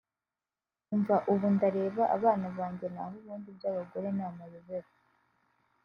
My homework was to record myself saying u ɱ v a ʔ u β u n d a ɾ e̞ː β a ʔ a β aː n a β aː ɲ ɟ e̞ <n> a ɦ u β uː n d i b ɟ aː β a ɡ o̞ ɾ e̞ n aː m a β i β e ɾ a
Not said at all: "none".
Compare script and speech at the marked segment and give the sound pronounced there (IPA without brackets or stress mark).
n